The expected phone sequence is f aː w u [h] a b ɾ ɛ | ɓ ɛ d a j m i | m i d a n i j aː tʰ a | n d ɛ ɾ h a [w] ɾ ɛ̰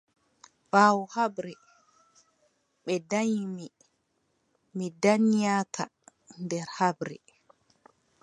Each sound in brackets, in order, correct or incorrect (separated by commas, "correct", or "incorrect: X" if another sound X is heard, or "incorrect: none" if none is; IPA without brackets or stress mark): correct, incorrect: b